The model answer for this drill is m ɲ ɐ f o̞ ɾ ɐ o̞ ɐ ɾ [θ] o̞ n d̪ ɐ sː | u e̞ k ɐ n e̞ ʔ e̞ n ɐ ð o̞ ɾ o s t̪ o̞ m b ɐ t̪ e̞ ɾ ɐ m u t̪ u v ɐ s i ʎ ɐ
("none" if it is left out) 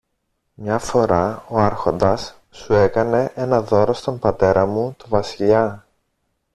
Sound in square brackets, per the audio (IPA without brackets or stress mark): x